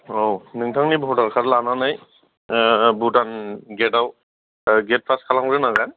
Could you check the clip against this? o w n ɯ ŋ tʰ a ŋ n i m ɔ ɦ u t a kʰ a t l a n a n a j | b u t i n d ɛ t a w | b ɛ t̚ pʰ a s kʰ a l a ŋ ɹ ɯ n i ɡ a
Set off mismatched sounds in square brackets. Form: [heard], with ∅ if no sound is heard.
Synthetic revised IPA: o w n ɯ ŋ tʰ a ŋ n i [b] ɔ ɦ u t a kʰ a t l a n a n a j | b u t [a] n [ɡ] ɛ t a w | [ɡ] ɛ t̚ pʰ a s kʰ a l a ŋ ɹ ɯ n [a] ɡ a

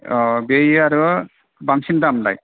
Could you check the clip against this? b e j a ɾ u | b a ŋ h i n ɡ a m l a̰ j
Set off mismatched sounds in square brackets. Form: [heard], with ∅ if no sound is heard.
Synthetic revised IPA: b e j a ɾ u | b a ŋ [s] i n [d] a m l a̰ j

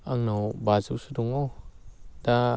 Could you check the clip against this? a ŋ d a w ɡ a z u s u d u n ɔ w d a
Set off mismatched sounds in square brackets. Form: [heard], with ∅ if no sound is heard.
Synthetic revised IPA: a ŋ [n] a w [b] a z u s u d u [ŋ] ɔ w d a

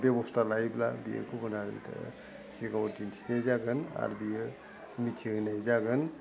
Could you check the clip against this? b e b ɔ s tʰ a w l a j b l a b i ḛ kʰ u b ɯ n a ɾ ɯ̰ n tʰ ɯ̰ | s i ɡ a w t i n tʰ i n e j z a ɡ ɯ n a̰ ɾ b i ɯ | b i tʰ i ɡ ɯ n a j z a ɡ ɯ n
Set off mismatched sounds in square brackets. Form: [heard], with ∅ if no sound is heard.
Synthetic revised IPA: b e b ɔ s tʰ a [∅] l a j b l a b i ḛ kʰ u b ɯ n a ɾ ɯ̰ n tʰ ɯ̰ | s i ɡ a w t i n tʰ i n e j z a ɡ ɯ n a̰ ɾ b i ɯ | [m] i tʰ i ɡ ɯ n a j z a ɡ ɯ n

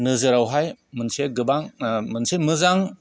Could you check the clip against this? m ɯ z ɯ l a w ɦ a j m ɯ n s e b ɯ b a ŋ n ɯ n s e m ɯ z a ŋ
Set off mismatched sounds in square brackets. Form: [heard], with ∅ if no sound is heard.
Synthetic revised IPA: [n] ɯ z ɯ [ɾ] a w ɦ a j m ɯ n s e [ɡ] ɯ b a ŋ [m] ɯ n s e m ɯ z a ŋ

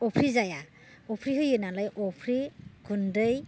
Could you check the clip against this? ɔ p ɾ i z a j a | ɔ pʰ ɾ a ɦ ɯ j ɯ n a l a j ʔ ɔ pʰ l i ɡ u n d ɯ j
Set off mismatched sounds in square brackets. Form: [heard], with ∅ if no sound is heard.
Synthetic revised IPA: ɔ [pʰ] ɾ i z a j a | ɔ pʰ ɾ [i] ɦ ɯ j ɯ n a l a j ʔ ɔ pʰ [ɾ] i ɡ u n d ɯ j

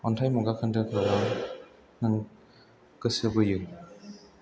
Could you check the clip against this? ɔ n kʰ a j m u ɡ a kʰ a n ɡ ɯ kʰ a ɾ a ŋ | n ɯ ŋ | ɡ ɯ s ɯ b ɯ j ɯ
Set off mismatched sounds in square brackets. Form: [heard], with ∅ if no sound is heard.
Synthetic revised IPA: ɔ n [tʰ] a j m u ɡ a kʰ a n [d] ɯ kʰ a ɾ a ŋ | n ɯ ŋ | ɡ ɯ s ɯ b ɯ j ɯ

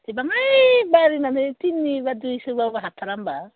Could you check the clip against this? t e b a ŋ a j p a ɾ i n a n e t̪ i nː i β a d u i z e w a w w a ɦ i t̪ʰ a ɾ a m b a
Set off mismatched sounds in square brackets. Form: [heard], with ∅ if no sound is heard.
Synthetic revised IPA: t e b a ŋ a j [b] a ɾ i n a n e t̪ i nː i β a d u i [s] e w a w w a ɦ [a] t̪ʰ a ɾ a m b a

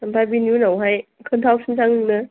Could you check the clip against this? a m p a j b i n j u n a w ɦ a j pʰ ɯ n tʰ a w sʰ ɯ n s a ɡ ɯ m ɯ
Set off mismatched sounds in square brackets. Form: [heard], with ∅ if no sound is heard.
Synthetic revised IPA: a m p a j b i n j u n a w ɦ a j [kʰ] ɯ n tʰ a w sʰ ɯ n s a [ŋ] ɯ [n] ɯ

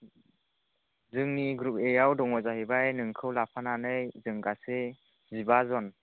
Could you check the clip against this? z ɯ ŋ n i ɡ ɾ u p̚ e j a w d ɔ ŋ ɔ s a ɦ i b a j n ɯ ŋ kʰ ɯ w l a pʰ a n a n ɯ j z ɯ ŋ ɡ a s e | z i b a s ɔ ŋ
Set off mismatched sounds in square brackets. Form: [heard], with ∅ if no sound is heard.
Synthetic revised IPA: z ɯ ŋ n i ɡ ɾ u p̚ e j a w d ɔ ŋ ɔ [z] a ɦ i b a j n ɯ ŋ kʰ ɯ w l a pʰ a n a n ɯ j z ɯ ŋ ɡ a s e | z i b a [z] ɔ [n]

